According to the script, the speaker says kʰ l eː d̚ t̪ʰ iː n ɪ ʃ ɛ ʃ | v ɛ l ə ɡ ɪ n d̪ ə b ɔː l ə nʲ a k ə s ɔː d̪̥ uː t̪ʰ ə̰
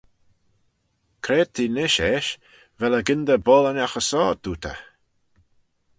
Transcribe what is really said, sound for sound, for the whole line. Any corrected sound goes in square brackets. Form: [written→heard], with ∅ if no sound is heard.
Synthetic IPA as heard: kʰ [l→ɾ] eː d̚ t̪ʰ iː n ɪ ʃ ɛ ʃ | v ɛ l ə ɡ ɪ n d̪ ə b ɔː l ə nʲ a [k→x] ə s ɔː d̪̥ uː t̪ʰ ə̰